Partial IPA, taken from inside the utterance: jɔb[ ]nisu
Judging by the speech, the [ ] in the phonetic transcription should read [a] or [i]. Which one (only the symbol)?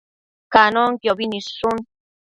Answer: i